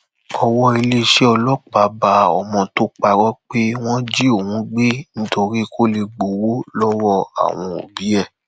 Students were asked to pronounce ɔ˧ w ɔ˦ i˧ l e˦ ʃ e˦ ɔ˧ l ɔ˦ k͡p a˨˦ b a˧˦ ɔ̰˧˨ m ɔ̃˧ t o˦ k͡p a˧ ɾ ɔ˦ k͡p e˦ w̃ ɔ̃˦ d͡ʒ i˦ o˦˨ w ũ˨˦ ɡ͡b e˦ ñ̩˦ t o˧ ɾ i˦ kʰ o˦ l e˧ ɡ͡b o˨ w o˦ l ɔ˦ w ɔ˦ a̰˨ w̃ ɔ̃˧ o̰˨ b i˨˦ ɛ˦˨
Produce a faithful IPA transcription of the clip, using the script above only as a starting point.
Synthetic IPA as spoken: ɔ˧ w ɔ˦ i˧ l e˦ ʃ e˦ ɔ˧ l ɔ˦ k͡p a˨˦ b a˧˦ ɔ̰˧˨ m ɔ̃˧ t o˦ k͡p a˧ ɾ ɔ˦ k͡p e˦ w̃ ɔ̃˦ d͡ʒ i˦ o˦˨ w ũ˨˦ ɡ͡b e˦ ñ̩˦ t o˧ ɾ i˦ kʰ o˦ l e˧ ɡ͡b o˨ w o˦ l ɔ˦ w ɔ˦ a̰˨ w̃ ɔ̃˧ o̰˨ b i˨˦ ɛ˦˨

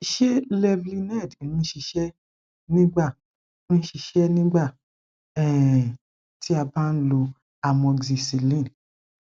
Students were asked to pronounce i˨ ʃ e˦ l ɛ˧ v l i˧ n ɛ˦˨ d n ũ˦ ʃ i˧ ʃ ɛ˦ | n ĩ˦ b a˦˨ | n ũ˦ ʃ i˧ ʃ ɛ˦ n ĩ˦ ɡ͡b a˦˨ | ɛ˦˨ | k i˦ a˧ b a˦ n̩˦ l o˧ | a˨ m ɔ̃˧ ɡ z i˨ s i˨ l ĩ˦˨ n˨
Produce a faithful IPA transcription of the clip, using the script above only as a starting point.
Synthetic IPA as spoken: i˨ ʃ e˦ l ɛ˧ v l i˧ n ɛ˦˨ d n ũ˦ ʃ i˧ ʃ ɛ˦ | n ĩ˦ ɡ͡b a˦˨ | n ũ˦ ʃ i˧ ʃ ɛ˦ n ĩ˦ ɡ͡b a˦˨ | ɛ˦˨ | t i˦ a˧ b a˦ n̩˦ l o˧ | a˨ m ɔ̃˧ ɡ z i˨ s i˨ l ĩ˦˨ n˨

